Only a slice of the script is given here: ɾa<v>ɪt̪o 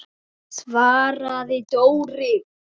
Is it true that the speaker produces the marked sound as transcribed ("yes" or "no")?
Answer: no